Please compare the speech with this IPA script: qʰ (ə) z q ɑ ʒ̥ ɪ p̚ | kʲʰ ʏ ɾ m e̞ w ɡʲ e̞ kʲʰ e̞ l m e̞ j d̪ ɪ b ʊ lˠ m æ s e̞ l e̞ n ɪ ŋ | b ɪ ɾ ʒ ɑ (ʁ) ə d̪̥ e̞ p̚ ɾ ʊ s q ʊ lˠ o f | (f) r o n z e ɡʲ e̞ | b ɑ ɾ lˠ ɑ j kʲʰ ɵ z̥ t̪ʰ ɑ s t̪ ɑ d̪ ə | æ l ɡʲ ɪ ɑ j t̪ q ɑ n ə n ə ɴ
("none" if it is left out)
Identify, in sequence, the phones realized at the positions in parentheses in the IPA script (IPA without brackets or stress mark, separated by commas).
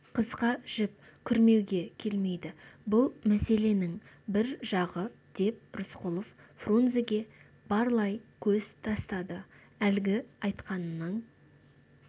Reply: ə, ʁ, f